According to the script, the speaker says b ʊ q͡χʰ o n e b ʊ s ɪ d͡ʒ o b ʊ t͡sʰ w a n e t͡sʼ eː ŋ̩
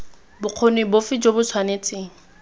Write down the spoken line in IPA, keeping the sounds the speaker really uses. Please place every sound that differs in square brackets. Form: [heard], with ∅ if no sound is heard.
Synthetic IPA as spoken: b ʊ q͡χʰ o n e b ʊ [f] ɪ d͡ʒ o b ʊ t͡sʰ w a n e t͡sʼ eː ŋ̩

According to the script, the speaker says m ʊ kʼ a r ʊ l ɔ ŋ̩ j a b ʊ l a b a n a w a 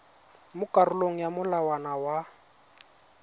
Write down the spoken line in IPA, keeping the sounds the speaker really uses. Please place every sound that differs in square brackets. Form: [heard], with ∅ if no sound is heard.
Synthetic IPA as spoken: m ʊ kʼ a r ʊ l [o] ŋ̩ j a [m] ʊ l a [w] a n a w a

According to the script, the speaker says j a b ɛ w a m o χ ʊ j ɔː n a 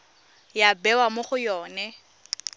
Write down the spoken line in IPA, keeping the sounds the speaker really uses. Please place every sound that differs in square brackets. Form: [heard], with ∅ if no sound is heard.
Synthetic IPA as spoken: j a b ɛ w a m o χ ʊ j ɔː n [ɛ]

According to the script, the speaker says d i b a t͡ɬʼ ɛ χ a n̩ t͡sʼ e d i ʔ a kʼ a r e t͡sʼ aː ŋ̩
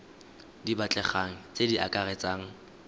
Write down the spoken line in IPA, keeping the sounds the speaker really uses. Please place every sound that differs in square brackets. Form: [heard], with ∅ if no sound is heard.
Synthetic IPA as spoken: d i b a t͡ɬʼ ɛ χ a [ŋ̩] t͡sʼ e d i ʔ a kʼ a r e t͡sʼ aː ŋ̩

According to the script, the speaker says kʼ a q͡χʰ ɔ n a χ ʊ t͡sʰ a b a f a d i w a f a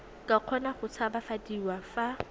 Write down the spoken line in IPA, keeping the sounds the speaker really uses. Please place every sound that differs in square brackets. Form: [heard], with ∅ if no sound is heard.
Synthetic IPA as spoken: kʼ a q͡χʰ ɔ n a χ ʊ t͡sʰ a b a f a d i w a f a

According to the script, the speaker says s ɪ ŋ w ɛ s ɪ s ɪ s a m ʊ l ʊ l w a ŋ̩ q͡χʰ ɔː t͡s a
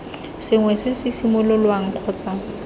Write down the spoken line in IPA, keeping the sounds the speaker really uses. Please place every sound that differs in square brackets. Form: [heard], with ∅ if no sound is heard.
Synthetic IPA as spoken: s ɪ ŋ w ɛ s ɪ s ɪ s [i] m ʊ l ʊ l w a ŋ̩ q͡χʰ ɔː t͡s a

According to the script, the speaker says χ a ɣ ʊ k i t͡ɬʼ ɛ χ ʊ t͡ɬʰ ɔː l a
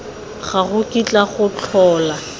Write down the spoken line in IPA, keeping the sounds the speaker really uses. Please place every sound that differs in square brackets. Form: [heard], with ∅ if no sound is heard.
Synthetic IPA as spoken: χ a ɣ ʊ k i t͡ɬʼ [a] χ ʊ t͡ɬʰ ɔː l a

